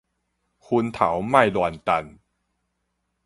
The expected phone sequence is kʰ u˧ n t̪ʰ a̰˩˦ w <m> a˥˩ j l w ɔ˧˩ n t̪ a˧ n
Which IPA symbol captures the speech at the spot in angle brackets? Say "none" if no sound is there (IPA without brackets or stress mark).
m